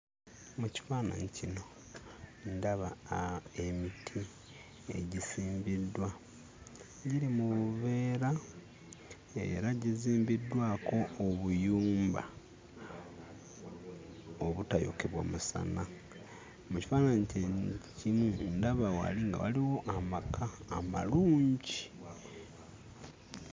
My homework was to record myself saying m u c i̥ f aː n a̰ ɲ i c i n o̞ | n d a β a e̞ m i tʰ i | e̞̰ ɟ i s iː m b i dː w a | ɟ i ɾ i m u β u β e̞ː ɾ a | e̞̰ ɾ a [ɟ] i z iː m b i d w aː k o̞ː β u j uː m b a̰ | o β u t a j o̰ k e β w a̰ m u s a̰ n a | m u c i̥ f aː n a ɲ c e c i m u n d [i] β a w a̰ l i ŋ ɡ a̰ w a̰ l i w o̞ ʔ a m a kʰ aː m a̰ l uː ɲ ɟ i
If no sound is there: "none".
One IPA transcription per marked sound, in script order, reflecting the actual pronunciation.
ɟ, a

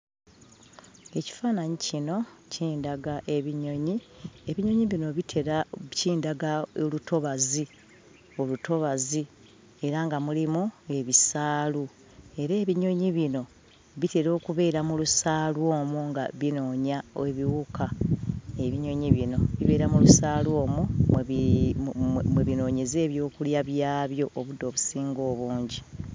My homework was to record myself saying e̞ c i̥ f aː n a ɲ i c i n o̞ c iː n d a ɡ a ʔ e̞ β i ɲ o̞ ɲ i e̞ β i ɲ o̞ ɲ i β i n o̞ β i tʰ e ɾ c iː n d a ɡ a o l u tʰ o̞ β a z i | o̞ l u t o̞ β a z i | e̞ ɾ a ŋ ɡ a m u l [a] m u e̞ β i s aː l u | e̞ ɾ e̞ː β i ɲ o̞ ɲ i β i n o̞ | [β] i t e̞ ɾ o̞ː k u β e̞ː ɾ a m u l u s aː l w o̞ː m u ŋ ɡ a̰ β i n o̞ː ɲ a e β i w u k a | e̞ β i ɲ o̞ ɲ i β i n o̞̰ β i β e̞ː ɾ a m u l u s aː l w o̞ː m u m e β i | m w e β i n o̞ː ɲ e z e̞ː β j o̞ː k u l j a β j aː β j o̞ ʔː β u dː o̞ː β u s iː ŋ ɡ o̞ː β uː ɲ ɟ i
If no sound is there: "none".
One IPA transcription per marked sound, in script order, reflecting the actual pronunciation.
i, β

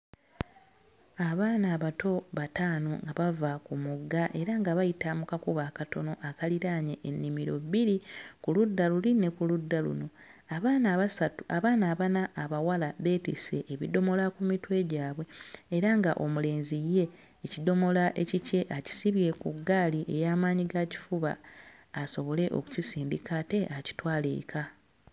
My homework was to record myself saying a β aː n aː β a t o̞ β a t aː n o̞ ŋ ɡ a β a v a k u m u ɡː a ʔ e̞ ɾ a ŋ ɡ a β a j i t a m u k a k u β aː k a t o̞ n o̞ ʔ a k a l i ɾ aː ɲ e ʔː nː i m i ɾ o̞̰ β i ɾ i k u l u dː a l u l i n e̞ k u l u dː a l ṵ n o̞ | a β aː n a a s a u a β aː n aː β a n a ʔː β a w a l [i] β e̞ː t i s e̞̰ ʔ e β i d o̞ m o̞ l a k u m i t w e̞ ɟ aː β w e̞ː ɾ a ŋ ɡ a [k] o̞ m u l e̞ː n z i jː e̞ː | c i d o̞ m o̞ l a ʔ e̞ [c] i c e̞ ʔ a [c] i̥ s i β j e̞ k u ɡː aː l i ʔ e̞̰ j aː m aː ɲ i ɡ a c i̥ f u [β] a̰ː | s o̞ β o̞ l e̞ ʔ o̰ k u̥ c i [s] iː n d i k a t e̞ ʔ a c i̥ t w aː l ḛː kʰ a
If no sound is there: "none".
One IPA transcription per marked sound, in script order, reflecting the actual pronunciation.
a, ʔ, c, c, β, s

